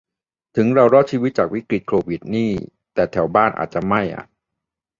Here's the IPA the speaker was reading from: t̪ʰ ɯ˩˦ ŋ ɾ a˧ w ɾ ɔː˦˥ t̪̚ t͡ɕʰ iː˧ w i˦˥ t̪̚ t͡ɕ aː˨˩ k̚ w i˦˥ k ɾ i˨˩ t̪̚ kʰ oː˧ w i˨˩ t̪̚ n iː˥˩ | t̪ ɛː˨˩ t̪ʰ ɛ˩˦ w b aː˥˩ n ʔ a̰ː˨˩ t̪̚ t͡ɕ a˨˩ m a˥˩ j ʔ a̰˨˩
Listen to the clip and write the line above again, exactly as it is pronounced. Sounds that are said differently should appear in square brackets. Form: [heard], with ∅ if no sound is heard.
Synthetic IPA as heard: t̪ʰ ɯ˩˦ ŋ ɾ a˧ w ɾ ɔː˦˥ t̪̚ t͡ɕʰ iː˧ w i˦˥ t̪̚ t͡ɕ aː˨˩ k̚ w i˦˥ k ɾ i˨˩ t̪̚ kʰ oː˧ w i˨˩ t̪̚ n iː˥˩ | t̪ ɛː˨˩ t̪ʰ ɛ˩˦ w b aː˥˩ n ʔ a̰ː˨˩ t̪̚ t͡ɕ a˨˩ m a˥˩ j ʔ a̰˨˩